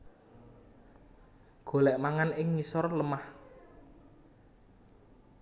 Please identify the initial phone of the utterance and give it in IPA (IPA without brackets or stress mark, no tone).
ɡ̥